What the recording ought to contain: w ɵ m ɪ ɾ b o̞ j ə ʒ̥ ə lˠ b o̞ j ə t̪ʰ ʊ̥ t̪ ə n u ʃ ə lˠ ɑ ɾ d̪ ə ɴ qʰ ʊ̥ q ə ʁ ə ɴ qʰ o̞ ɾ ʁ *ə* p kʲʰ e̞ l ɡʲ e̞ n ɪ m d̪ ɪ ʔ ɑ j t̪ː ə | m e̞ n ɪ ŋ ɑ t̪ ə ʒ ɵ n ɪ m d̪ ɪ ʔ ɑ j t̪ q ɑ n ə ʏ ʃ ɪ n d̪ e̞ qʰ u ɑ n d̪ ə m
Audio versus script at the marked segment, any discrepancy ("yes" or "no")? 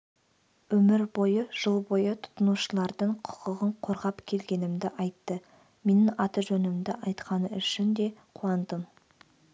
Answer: yes